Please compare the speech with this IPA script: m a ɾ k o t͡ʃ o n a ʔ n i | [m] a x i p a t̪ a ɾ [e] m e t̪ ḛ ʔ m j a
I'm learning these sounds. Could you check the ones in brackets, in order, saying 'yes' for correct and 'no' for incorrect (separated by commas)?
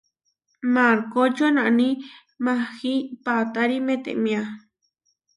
yes, no